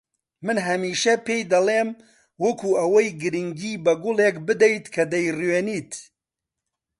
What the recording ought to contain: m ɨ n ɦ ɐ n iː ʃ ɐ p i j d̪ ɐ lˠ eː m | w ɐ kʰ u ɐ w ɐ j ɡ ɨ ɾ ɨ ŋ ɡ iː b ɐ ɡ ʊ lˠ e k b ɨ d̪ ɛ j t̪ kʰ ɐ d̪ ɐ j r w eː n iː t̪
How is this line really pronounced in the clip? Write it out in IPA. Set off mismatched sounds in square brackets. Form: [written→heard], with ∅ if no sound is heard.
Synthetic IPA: m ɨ n ɦ ɐ [n→m] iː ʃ ɐ p [i→e] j d̪ ɐ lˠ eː m | w ɐ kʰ u ɐ w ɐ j ɡ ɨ ɾ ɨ ŋ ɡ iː b ɐ ɡ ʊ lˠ e k b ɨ d̪ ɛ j t̪ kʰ ɐ d̪ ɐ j r w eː n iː t̪